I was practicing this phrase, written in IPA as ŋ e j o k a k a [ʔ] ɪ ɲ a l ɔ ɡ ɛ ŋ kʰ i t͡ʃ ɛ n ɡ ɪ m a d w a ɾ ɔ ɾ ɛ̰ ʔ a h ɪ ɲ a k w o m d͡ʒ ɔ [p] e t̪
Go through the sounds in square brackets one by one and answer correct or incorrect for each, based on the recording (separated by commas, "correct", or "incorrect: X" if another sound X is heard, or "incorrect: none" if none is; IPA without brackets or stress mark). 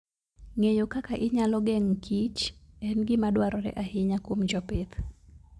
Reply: correct, correct